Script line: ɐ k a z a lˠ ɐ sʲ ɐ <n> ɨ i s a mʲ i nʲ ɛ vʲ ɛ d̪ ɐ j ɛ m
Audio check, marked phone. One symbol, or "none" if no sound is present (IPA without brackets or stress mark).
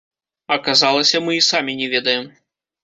m